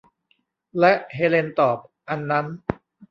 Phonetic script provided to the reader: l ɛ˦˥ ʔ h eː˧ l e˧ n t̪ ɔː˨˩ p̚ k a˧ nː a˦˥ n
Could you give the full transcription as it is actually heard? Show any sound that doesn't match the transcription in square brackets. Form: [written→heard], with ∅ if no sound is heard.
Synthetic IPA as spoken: l ɛ˦˥ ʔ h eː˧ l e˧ n t̪ ɔː˨˩ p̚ [k→ʔ] a˧ nː a˦˥ n